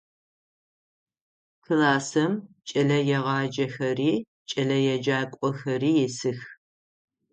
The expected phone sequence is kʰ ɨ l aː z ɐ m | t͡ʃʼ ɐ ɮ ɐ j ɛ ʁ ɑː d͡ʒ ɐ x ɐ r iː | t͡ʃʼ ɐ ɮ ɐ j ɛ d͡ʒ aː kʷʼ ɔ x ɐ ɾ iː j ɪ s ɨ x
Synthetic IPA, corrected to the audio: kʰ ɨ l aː s ɐ m | t͡ʃʼ ɐ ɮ ɐ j ɛ ʁ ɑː d͡ʒ ɐ x ɐ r iː | t͡ʃʼ ɐ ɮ ɐ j ɛ d͡ʒ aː kʷʼ ɔ x ɐ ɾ iː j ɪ s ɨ x